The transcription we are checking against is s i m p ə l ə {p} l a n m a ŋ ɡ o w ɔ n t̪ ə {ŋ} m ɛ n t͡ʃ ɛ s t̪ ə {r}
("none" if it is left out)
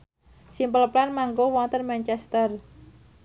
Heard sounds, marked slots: p, n, r

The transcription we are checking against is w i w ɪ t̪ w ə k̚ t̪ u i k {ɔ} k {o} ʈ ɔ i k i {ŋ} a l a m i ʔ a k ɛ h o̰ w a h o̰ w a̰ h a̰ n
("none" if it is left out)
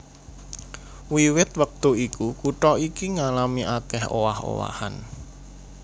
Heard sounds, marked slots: u, u, ŋ

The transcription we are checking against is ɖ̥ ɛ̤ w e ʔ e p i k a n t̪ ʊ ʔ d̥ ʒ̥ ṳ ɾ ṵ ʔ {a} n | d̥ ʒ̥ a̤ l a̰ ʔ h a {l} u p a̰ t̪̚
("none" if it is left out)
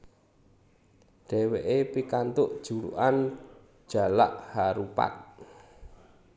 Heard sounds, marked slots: a, ɾ

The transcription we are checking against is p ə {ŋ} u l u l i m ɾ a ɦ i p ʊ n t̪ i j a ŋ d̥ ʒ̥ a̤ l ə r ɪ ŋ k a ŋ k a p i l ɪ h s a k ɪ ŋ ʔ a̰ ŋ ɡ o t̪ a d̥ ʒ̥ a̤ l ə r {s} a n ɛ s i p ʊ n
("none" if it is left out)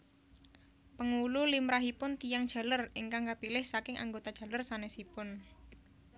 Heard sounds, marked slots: ŋ, s

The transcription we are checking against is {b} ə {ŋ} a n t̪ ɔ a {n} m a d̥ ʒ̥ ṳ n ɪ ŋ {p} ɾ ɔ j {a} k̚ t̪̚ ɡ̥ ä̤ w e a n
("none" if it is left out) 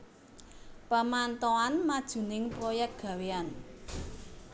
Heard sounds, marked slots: p, m, n, p, ɛ

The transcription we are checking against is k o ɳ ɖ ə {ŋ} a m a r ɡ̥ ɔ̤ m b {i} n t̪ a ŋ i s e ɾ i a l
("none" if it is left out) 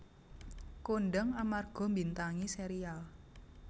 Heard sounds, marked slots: ŋ, i

